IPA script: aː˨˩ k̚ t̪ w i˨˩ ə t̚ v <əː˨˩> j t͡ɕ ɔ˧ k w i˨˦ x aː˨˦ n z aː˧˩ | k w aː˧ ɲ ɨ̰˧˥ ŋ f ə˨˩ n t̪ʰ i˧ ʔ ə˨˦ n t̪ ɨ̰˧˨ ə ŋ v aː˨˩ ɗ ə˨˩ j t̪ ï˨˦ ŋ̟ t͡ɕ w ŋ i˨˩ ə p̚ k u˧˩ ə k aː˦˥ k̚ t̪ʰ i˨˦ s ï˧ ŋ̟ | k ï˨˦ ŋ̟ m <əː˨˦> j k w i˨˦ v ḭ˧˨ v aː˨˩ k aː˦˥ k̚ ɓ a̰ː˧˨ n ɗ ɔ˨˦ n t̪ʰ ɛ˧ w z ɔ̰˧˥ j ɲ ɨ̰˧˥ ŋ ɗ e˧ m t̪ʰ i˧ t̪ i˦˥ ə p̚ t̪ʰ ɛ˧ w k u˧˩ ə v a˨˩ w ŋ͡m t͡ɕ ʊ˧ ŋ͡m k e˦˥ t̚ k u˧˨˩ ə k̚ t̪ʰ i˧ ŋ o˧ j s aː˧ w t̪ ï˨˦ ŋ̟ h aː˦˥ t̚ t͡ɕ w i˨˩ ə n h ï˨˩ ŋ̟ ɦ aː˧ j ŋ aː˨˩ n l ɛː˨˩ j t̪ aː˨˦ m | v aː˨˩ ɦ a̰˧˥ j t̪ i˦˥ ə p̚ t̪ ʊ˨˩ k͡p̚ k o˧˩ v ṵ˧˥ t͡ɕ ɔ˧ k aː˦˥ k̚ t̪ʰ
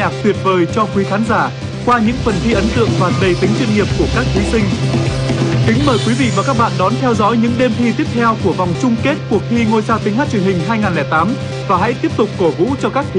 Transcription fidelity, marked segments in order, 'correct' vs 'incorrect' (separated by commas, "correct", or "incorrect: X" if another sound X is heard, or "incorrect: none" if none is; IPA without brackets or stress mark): correct, incorrect: əː˨˩